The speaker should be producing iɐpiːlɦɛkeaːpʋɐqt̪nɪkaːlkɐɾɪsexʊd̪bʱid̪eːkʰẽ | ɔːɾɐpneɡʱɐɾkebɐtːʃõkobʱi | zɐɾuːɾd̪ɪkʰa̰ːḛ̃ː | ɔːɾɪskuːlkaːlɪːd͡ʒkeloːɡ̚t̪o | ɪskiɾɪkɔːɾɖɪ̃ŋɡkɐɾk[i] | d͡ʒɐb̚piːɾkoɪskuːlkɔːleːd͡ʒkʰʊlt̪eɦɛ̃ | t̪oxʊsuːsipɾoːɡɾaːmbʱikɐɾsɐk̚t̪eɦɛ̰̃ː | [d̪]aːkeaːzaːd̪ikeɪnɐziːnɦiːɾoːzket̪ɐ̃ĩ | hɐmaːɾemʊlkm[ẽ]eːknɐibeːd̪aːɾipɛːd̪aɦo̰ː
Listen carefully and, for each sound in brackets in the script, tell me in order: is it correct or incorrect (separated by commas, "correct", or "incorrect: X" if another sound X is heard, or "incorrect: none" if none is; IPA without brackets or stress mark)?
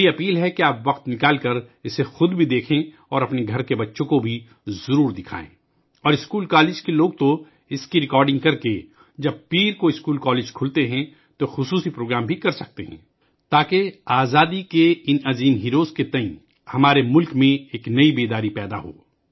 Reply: incorrect: e, incorrect: t̪, correct